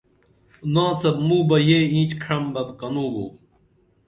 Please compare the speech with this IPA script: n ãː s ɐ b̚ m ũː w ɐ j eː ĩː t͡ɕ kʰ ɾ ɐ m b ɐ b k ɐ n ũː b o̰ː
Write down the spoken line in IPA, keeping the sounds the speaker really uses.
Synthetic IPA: n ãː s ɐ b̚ m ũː b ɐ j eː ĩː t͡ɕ kʰ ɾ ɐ m b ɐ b k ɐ n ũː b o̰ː